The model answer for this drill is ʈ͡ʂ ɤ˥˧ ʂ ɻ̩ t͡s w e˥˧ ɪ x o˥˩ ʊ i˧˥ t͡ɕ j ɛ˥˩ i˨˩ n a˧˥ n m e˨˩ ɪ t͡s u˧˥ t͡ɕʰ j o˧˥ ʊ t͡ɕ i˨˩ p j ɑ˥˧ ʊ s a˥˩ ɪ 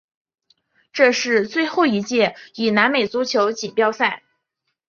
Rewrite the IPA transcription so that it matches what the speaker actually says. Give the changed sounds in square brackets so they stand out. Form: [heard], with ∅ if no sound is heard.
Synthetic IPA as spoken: ʈ͡ʂ ɤ˥˧ ʂ ɻ̩ t͡s w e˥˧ ɪ x o˥˩ ʊ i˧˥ t͡ɕ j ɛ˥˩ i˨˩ n a˧˥ n m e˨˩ ɪ t͡s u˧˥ t͡ɕʰ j o˧˥ ʊ t͡ɕ i˨˩ p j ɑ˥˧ ʊ s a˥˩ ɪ